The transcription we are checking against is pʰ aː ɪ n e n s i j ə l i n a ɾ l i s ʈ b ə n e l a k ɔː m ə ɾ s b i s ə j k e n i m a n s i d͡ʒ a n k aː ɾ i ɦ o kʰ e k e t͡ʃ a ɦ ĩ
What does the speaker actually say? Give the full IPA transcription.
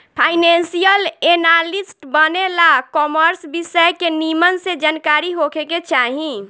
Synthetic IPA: pʰ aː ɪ n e n s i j ə l e n a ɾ l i s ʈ b ə n e l a k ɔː m ə ɾ s b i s ə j k e n i m ə n s e d͡ʒ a n k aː ɾ i ɦ o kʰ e k e t͡ʃ a ɦ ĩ